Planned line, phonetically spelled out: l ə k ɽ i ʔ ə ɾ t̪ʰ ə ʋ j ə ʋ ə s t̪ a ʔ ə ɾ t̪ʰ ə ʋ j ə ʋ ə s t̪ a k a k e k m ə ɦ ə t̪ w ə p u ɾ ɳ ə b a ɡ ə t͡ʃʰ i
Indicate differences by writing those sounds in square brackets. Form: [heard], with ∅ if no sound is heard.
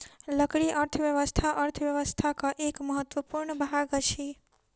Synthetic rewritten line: l ə k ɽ i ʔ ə ɾ t̪ʰ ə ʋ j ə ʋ ə s [t̪ʰ] a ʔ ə ɾ t̪ʰ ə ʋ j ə ʋ ə s [t̪ʰ] a k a [ʔ] e k m ə ɦ ə t̪ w ə p u ɾ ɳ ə b a ɡ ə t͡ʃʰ i